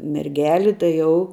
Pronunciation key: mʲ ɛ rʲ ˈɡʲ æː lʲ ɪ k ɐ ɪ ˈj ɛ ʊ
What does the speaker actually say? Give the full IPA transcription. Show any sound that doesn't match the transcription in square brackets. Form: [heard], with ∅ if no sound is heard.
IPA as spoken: mʲ ɛ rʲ ˈɡʲ æː lʲ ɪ [t] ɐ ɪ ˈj ɛ ʊ